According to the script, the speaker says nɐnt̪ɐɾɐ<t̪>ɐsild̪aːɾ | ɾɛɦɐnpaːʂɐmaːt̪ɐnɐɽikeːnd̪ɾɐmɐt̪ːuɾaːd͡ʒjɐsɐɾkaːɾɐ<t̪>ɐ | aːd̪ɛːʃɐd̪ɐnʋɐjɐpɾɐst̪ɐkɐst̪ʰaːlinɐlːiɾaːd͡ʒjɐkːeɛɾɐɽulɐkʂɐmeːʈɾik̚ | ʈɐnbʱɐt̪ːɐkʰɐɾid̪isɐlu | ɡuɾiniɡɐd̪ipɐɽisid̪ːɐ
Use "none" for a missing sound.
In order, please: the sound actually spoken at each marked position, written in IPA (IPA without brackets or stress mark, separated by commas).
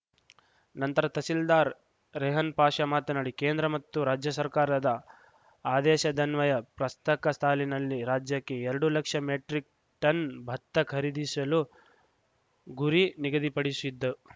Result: t̪, d̪